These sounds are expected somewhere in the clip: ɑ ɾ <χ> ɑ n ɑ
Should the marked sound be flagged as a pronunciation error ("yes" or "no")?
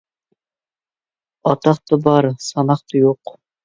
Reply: yes